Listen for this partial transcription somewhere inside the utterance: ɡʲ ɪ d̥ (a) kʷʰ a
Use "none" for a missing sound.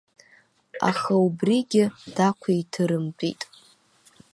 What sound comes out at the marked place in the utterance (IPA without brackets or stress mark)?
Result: a